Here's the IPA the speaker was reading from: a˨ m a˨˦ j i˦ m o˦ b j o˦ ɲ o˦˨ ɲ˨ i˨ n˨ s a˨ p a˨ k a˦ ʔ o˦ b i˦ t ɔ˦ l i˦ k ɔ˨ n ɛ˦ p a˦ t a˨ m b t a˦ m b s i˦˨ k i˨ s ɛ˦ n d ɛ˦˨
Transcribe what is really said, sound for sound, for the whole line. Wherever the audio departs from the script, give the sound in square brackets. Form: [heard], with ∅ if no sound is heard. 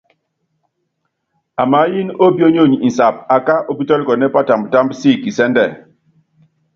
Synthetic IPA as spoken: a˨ m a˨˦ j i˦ [n] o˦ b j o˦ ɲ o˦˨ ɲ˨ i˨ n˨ s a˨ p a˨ k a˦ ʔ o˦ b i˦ t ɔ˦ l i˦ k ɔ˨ n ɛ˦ p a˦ t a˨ m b t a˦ m b s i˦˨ k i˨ s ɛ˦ n d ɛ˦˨